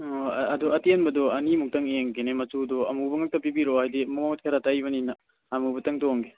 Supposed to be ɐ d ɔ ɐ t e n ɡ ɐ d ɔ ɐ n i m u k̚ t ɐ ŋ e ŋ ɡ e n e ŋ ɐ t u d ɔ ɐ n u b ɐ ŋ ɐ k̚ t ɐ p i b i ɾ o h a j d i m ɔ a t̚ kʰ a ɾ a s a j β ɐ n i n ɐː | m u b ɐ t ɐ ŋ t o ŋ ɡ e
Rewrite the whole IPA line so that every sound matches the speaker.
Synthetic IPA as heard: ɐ d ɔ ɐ t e n b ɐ d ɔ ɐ n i m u k̚ t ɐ ŋ e ŋ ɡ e n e m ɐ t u d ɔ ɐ m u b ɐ ŋ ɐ k̚ t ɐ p i b i ɾ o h a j d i m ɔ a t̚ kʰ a ɾ a t a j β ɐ n i n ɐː | m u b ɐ t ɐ ŋ t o ŋ ɡ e